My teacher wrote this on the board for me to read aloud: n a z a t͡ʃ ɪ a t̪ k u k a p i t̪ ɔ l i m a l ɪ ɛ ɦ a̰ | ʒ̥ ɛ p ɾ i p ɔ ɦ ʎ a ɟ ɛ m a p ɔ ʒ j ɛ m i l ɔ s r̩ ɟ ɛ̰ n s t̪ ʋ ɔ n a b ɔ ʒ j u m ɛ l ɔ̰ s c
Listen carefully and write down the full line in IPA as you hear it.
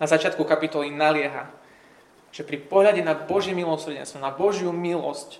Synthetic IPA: n a z a t͡ʃ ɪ a t̪ k u k a p i t̪ ɔ l i n a l ɪ ɛ ɦ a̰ | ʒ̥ ɛ p ɾ i p ɔ ɦ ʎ a ɟ ɛ n a b ɔ ʒ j ɛ m i l ɔ s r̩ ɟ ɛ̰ n s t̪ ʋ ɔ n a b ɔ ʒ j u m i l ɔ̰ s c